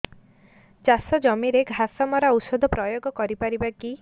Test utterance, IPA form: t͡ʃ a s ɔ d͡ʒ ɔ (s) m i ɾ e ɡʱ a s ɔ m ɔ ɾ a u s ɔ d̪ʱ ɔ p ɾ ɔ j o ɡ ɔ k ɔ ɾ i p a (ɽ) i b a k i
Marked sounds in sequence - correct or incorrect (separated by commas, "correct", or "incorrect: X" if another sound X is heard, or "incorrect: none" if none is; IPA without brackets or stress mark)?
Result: incorrect: none, incorrect: ɾ